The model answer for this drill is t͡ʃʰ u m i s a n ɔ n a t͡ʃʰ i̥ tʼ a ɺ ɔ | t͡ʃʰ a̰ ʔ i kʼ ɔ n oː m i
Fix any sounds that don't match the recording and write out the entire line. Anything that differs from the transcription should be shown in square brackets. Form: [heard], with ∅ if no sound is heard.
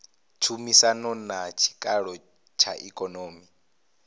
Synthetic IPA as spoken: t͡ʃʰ u m i s a n ɔ n a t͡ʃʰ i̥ [kʼ] a ɺ ɔ | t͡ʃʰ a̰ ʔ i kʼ ɔ n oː m i